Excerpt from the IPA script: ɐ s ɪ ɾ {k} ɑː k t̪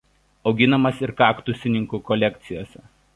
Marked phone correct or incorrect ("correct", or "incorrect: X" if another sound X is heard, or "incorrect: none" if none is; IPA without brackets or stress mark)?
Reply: correct